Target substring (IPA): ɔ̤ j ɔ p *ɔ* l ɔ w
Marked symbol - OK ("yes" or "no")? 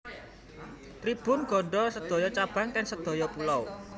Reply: no